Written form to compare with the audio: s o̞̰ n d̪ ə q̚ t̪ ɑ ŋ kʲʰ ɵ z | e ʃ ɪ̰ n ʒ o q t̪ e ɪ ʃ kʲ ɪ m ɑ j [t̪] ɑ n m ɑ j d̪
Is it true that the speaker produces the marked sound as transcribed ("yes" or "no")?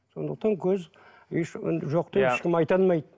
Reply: yes